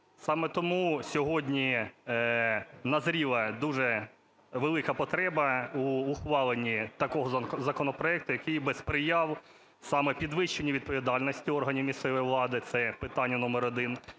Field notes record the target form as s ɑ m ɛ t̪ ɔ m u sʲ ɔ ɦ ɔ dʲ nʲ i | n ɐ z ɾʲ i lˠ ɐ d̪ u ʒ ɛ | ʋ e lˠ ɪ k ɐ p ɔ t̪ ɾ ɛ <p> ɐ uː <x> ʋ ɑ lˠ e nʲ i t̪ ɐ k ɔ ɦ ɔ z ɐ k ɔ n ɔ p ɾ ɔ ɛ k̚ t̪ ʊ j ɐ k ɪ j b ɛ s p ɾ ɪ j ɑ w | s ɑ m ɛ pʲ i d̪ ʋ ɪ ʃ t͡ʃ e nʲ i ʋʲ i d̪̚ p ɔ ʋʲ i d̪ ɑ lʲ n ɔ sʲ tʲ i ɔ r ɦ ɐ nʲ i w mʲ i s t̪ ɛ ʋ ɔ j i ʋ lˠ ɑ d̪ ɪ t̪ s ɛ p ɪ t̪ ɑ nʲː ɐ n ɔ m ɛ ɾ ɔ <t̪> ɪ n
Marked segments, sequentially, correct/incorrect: incorrect, correct, incorrect

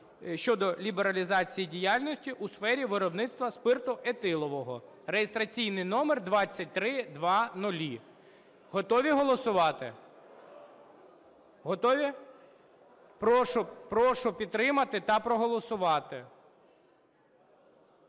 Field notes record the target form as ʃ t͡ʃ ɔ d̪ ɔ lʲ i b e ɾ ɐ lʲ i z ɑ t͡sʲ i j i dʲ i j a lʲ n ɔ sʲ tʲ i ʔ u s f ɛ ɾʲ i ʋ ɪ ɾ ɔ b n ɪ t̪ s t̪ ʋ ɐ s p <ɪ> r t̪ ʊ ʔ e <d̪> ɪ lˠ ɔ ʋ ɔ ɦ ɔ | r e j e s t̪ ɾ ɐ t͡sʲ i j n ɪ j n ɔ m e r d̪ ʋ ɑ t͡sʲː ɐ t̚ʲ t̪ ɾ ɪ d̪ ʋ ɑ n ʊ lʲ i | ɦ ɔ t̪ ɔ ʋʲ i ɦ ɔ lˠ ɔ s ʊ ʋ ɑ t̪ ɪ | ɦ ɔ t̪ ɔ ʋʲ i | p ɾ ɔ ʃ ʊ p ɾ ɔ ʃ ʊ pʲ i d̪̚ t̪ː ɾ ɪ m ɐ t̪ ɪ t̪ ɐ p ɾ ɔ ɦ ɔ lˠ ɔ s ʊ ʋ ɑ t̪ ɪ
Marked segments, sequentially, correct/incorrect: correct, incorrect

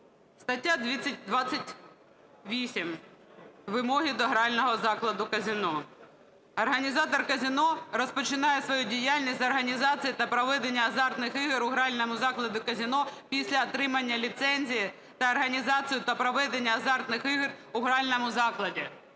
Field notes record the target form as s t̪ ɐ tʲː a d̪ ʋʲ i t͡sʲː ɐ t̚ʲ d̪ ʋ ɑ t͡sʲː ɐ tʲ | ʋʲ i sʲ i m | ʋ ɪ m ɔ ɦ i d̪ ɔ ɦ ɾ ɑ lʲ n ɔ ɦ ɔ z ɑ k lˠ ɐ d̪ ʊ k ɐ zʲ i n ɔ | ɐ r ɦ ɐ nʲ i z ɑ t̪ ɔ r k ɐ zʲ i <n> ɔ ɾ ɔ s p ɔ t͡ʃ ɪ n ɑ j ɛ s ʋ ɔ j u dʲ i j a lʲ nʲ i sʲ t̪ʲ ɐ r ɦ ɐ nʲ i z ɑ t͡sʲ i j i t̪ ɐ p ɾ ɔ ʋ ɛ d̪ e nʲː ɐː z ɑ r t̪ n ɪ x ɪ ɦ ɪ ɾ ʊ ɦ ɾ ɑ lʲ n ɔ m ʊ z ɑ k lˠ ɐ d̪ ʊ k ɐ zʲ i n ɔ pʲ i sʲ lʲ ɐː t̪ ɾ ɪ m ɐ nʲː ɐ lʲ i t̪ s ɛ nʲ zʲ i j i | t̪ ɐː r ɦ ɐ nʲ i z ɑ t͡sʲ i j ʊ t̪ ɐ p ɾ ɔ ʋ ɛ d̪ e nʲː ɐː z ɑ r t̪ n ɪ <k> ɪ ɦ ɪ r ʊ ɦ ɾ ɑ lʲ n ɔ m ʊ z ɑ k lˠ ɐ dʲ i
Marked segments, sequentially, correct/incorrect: correct, incorrect

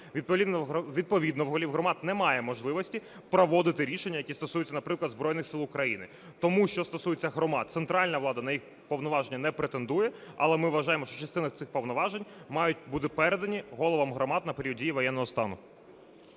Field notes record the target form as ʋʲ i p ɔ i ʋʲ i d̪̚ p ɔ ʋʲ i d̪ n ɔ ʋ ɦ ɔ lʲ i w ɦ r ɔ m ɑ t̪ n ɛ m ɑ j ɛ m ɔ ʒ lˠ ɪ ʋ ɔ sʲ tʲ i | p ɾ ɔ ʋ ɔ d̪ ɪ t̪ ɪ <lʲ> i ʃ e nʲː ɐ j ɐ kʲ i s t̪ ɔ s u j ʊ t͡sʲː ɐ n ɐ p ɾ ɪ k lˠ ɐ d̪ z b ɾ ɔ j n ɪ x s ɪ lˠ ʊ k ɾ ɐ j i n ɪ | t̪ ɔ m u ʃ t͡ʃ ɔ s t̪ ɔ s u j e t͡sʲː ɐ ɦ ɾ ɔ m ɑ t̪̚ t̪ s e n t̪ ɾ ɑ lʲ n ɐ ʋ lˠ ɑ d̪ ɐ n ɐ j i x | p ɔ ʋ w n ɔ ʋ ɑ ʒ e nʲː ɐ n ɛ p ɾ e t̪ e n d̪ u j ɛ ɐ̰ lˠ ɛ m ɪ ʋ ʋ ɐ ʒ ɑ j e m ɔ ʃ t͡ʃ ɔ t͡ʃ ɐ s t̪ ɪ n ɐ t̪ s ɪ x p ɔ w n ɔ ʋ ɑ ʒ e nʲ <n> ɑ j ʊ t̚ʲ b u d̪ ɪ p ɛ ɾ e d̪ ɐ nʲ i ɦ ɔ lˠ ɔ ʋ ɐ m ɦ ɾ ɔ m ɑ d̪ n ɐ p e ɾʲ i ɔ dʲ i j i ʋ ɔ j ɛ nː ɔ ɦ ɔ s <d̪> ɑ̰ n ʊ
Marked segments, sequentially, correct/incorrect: incorrect, incorrect, incorrect

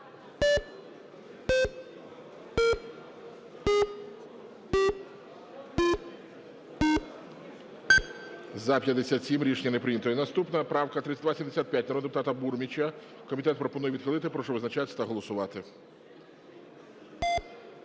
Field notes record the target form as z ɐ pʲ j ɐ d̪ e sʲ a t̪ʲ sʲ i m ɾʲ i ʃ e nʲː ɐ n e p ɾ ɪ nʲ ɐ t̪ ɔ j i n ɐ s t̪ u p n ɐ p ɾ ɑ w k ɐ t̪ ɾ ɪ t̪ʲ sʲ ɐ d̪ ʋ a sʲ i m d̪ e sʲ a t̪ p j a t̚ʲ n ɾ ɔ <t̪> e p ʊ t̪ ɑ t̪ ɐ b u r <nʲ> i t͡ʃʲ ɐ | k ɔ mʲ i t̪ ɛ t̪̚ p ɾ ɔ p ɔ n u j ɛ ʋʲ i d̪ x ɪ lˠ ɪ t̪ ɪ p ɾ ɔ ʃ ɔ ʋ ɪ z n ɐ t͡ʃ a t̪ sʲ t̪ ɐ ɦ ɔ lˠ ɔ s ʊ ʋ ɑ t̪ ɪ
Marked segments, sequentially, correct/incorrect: incorrect, incorrect

